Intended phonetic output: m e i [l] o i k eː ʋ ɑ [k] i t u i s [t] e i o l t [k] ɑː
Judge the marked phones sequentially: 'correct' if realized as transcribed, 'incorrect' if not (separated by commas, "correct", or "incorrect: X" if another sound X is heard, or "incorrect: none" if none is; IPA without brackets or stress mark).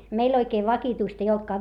correct, correct, correct, correct